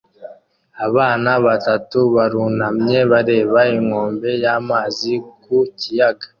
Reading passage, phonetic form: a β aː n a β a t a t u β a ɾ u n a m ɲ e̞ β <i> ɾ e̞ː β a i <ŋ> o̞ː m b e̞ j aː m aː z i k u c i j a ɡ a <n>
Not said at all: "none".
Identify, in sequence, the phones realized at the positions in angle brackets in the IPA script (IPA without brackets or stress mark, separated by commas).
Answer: a, ŋ, none